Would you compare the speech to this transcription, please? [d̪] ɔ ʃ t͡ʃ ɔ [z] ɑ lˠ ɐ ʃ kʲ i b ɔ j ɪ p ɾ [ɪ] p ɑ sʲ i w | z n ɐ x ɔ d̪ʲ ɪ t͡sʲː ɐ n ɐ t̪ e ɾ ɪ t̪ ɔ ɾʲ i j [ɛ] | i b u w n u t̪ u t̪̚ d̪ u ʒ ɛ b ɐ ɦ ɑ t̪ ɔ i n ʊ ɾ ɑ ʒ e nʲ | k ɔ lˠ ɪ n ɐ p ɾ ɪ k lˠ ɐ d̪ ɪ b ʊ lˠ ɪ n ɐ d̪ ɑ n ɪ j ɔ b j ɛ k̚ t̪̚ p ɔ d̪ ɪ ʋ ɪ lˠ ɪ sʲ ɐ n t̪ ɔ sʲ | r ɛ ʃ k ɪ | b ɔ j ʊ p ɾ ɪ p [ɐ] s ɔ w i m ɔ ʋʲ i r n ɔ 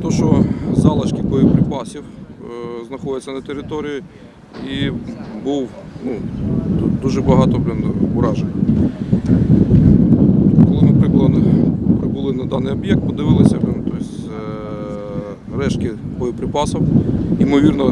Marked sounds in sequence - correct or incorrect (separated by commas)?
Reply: incorrect, correct, correct, incorrect, incorrect